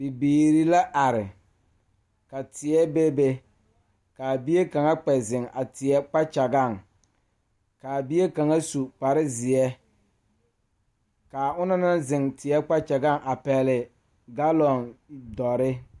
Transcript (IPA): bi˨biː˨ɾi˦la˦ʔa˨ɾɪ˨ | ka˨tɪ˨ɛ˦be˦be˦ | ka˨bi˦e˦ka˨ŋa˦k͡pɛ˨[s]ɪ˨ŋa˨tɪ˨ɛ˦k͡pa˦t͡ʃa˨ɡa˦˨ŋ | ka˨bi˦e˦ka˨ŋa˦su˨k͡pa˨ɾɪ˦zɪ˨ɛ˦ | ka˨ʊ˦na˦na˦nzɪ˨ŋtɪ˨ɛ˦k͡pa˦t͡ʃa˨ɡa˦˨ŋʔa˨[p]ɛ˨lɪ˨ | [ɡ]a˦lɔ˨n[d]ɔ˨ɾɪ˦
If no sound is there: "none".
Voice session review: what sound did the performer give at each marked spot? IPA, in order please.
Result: z, p, ɡ, d

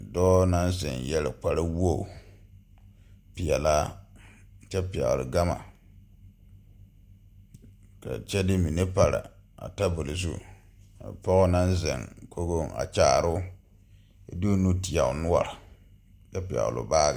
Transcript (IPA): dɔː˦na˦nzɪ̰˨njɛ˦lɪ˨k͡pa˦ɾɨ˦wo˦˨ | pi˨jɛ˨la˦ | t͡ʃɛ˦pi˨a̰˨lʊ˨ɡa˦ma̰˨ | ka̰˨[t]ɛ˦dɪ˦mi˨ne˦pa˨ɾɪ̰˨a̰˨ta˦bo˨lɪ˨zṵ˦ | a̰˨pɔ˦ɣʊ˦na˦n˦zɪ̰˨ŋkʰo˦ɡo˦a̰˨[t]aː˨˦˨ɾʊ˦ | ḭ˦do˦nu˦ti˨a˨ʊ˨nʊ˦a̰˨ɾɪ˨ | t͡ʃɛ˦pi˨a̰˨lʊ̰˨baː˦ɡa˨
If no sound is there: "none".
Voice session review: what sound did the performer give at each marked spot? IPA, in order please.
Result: t͡ʃ, t͡ʃ

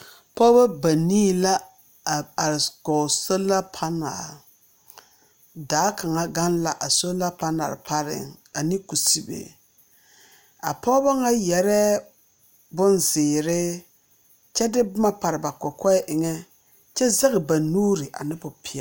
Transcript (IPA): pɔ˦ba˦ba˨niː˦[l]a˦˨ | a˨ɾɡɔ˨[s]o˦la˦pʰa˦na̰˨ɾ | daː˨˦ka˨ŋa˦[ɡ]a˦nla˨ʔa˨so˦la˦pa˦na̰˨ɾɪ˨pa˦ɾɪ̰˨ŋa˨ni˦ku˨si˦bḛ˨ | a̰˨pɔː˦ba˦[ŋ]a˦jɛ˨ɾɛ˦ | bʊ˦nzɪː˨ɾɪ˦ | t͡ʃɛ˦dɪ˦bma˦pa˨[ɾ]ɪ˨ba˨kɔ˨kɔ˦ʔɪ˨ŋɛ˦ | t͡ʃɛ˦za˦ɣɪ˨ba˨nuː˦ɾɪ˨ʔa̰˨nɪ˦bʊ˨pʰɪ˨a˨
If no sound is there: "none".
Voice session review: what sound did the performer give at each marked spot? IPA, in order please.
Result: l, s, ɡ, ŋ, ɾ

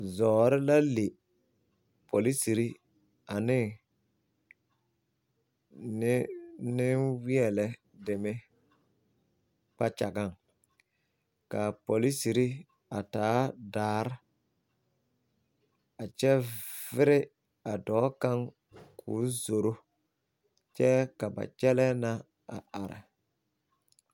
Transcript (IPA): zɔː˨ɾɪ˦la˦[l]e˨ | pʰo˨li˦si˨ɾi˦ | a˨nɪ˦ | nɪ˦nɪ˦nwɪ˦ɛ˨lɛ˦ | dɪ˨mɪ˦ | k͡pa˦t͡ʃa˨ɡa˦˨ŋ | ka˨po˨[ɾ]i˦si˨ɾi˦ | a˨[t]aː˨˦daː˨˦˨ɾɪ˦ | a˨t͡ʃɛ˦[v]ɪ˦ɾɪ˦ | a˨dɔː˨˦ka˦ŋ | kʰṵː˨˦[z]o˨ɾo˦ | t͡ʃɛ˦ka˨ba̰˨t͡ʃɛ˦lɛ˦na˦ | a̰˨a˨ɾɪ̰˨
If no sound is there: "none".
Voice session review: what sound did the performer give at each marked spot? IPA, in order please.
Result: l, l, t, v, z

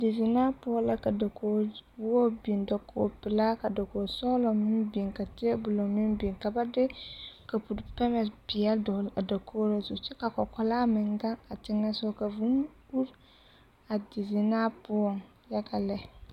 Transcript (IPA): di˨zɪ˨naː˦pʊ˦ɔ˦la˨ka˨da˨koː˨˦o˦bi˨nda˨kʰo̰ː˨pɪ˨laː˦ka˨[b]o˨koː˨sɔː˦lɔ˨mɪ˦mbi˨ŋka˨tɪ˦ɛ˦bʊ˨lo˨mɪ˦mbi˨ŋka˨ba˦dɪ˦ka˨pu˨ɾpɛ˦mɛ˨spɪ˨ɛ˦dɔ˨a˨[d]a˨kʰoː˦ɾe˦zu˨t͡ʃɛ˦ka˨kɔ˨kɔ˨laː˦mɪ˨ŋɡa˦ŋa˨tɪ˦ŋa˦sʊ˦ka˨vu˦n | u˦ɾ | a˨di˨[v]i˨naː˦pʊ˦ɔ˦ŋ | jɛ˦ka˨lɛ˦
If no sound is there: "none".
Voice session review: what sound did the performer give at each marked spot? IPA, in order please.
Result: d, d, z

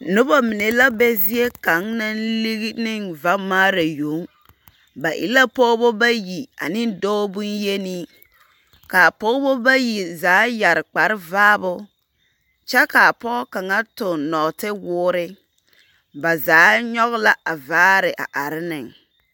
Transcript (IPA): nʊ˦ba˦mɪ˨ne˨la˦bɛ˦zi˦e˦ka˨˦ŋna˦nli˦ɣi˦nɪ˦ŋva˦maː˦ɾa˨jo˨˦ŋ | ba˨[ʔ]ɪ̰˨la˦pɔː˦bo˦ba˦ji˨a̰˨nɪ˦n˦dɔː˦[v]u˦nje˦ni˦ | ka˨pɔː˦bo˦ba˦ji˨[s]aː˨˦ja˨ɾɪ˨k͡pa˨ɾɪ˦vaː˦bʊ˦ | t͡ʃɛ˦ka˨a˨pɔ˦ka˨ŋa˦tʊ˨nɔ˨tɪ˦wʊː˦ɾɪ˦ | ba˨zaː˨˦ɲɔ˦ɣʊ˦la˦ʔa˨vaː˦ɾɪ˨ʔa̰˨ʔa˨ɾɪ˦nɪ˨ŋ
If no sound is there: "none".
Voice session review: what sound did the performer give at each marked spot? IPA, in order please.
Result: ʔ, b, z

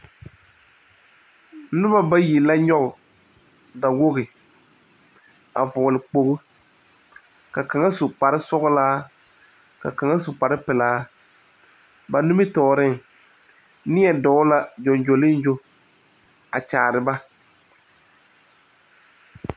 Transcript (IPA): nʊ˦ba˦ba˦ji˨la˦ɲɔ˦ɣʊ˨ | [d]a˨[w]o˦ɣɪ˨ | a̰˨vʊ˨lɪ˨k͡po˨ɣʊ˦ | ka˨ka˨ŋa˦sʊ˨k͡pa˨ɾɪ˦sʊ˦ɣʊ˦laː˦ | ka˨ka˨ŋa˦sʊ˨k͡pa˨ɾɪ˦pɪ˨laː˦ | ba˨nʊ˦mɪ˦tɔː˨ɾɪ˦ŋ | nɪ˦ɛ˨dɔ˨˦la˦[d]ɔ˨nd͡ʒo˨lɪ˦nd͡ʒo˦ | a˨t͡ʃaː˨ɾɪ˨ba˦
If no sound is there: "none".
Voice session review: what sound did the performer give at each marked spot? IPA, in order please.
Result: d, w, d͡ʒ

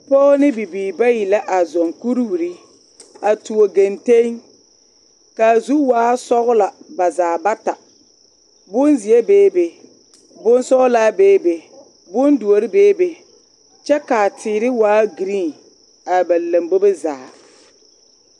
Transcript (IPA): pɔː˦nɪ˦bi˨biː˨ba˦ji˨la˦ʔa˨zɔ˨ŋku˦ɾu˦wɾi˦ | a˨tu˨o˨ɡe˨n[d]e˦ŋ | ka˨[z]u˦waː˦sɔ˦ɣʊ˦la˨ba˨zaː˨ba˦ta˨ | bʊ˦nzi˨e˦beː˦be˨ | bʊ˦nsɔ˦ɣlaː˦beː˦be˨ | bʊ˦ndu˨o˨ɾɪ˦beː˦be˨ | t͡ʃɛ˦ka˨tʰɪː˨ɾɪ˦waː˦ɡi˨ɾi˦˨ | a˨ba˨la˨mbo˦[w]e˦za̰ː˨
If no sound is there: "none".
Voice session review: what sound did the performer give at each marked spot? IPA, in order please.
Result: t, z, b

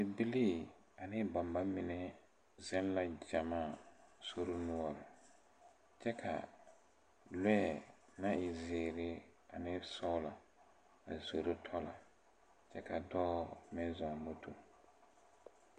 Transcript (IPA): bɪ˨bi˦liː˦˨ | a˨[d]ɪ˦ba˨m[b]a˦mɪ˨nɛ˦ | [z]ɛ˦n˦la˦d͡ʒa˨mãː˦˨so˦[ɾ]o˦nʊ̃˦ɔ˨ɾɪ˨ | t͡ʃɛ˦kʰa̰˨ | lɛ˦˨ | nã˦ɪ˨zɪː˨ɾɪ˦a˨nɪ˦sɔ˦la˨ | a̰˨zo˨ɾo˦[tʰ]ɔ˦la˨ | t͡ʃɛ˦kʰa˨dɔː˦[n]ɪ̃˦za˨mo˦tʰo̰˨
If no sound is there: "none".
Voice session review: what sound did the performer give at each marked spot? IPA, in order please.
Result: n, b, z, ɾ, tʰ, m

